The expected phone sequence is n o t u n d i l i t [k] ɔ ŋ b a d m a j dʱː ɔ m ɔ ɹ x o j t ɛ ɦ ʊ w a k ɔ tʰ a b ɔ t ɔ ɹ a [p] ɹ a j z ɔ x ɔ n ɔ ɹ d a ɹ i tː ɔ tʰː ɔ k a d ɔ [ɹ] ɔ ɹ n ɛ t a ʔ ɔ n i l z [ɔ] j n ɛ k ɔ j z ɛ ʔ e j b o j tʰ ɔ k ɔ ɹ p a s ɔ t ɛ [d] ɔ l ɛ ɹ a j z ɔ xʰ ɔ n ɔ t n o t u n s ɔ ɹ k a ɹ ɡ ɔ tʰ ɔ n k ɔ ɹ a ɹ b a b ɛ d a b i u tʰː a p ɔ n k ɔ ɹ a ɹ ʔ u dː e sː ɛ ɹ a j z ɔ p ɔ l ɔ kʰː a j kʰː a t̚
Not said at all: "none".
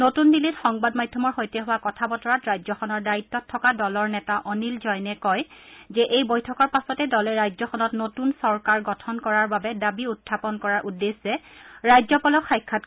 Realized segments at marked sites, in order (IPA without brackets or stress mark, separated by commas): x, t, l, ɔ, d